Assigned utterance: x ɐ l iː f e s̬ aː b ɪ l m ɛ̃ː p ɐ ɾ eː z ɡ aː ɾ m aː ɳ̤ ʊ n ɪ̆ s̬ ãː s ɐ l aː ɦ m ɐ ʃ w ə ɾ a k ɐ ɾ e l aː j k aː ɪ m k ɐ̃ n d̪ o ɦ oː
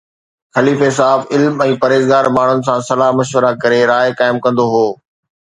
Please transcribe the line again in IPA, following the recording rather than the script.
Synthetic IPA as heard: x ɐ l iː f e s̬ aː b ɪ l m ɛ̃ː p ɐ ɾ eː z ɡ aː ɾ m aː ɳ̤ ʊ n ɪ̆ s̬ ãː s ɐ l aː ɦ m ɐ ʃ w ə ɾ a k ɐ ɾ e ɾ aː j k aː ɪ m k ɐ̃ n d̪ o ɦ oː